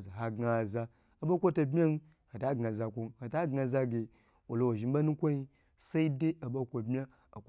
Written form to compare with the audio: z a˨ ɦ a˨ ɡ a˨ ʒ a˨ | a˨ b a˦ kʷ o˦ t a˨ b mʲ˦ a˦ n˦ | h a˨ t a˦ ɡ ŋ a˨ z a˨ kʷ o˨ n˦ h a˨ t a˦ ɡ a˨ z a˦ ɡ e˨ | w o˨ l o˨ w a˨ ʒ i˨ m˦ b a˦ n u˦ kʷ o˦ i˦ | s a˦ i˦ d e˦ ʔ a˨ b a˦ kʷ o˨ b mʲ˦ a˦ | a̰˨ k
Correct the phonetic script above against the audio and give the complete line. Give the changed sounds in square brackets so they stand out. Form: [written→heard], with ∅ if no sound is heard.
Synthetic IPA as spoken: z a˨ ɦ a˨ ɡ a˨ [ʒ→z] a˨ | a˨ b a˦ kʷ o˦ t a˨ b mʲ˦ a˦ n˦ | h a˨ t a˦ ɡ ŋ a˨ z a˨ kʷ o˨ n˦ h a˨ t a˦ ɡ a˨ z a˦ ɡ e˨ | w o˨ l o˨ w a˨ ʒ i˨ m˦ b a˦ n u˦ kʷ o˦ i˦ | s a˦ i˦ d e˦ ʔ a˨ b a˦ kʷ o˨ b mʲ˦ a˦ | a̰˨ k

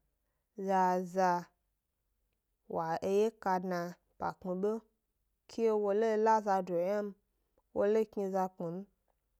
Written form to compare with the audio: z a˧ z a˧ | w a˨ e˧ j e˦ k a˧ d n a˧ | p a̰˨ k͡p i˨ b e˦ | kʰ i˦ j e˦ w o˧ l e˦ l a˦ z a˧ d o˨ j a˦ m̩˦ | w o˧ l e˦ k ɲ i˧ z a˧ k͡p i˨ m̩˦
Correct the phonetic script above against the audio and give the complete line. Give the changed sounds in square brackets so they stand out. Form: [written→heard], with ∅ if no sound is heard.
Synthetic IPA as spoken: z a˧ z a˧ | w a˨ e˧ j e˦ k a˧ d n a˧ | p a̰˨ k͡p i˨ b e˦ | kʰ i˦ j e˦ w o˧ l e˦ l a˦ z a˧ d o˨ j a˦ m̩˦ | w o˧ l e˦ k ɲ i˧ z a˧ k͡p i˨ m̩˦

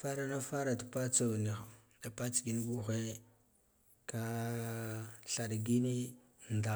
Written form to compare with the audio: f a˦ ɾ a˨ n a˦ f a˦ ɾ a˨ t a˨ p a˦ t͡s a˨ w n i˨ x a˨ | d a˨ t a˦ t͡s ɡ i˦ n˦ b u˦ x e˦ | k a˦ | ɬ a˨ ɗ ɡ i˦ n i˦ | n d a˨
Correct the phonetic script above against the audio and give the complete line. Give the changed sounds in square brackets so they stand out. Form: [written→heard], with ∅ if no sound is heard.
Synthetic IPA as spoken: f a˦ ɾ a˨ n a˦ f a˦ ɾ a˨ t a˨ p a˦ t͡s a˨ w n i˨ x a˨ | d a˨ [t→p] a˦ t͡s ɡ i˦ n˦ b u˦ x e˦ | k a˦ | ɬ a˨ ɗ ɡ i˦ n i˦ | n d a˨

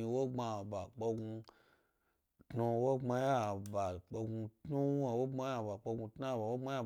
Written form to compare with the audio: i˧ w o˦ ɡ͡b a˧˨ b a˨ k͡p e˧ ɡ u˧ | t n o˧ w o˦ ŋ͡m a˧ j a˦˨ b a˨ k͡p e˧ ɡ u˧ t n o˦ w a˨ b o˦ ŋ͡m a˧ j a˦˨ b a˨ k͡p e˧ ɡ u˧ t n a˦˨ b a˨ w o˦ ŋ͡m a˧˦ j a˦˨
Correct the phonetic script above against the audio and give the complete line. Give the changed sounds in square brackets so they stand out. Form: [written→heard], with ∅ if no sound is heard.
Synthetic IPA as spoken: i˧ w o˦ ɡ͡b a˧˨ b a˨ k͡p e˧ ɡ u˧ | t n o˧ w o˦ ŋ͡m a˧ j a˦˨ b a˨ k͡p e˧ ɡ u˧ t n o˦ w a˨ [b→w] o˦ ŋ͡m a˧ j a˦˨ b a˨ k͡p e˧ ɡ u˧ t n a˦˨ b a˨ w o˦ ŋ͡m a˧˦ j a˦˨

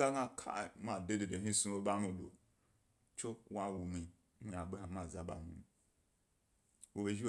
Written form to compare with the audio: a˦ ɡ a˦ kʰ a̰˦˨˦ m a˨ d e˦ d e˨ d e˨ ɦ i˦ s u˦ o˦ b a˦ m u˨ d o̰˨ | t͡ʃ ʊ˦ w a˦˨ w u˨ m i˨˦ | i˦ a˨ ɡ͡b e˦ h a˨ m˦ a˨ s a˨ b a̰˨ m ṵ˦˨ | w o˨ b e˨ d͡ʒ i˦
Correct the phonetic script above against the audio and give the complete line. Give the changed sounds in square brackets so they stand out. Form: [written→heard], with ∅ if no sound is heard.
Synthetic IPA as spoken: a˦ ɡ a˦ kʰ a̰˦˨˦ m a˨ d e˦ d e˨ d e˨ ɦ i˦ s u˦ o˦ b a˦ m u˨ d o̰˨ | t͡ʃ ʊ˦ w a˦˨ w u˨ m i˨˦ | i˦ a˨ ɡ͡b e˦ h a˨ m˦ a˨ [s→z] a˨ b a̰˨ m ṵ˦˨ | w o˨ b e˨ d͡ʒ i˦

